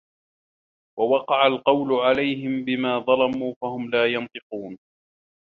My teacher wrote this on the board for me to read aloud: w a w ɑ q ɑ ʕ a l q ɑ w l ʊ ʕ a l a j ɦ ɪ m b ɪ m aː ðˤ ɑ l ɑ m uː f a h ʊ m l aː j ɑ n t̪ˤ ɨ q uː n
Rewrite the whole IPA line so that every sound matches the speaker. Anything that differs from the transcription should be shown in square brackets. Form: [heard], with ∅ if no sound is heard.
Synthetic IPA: w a w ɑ q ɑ ʕ a l q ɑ w l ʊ ʕ a l a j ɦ ɪ m b ɪ m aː ðˤ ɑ l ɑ m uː f a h ʊ m l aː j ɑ n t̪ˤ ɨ q uː n